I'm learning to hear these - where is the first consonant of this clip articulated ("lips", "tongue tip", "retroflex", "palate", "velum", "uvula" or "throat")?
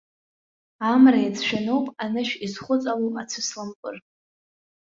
lips